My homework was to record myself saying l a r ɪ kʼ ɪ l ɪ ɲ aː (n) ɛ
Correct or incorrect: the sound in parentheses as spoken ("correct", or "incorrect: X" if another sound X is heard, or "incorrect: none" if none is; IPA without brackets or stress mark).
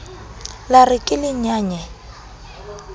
incorrect: ɲ